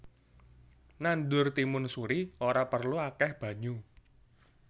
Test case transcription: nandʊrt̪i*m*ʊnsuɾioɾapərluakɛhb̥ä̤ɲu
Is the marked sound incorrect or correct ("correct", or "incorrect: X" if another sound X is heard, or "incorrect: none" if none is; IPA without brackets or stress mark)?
correct